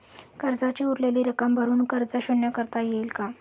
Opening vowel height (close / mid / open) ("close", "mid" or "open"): mid